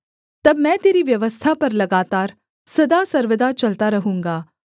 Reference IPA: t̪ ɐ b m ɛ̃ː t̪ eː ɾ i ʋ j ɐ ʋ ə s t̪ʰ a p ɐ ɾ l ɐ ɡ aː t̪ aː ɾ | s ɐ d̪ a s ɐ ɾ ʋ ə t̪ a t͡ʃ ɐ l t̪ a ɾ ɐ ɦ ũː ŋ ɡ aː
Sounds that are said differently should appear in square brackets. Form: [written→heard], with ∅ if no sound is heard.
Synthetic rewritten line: t̪ ɐ b m ɛ̃ː t̪ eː ɾ i ʋ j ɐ ʋ ə s t̪ʰ a p ɐ ɾ l ɐ ɡ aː t̪ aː ɾ | s ɐ d̪ a s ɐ ɾ ʋ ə [t̪→d̪] a t͡ʃ ɐ l t̪ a ɾ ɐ ɦ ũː ŋ ɡ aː